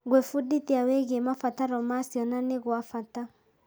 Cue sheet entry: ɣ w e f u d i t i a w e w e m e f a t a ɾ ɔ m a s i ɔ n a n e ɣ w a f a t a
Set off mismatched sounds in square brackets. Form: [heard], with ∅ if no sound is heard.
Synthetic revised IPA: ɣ w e f u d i t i a w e [ɣ] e m [a] f a t a ɾ ɔ m a s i ɔ n a n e ɣ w a f a t a